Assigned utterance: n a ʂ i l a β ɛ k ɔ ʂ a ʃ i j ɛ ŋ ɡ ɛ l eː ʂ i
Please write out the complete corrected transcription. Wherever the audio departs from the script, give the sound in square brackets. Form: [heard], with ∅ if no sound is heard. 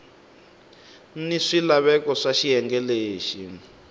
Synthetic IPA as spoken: n [i] ʂ i l a β ɛ k ɔ ʂ a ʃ i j ɛ ŋ ɡ ɛ l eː [ʃ] i